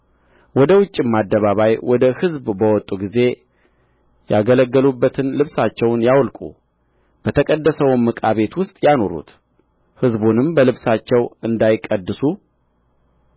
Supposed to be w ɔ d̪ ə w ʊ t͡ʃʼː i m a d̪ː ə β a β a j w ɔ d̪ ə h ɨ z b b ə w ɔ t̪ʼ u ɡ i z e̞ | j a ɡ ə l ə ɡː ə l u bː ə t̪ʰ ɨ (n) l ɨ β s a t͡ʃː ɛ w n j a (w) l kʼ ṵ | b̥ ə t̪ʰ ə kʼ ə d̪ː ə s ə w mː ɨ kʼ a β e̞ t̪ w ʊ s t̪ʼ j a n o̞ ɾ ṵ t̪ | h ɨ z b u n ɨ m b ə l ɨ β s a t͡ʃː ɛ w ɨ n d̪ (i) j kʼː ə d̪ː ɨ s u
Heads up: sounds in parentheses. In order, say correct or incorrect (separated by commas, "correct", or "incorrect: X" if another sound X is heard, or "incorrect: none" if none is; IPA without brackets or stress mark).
correct, correct, incorrect: a